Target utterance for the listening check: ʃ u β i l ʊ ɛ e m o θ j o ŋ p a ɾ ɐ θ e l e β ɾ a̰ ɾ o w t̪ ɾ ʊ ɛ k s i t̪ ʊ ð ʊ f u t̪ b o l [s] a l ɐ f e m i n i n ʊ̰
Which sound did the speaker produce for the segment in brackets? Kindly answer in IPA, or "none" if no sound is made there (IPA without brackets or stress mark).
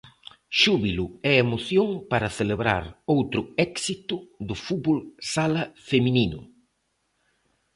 s